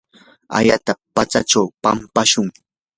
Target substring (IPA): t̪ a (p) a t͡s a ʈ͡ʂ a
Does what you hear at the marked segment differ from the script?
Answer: no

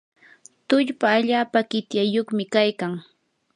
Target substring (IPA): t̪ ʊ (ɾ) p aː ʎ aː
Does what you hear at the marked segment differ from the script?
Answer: yes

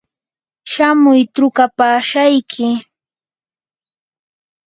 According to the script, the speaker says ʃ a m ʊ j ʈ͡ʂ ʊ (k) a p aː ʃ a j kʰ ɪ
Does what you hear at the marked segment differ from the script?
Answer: no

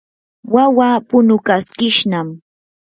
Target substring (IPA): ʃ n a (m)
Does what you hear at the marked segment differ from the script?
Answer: no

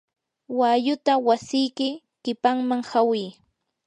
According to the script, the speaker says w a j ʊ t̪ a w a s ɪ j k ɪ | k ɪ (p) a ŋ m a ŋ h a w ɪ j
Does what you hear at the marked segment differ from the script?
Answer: no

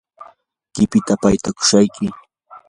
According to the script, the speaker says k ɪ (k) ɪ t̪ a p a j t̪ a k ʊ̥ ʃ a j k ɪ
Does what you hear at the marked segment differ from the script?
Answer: yes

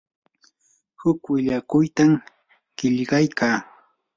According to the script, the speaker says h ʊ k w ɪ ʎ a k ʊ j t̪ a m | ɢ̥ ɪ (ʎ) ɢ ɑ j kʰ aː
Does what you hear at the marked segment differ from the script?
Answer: no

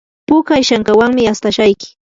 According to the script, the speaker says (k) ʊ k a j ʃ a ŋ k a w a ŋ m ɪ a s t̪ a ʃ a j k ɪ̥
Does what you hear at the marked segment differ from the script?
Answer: yes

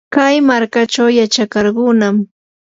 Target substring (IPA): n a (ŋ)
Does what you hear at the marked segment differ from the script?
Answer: yes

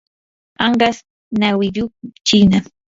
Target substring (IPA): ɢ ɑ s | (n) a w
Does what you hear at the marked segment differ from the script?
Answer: no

